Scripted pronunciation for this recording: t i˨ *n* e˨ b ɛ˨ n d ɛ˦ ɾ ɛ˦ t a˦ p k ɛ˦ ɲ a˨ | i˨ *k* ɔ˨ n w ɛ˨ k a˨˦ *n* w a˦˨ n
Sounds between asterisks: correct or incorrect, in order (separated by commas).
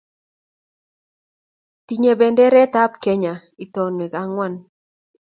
incorrect, incorrect, incorrect